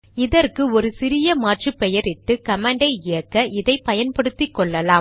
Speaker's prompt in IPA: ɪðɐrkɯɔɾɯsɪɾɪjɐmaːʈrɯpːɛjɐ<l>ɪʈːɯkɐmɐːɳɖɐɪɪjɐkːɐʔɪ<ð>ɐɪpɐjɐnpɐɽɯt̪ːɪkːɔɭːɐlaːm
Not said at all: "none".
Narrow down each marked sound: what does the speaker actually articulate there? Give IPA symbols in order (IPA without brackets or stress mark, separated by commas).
ɾ, ð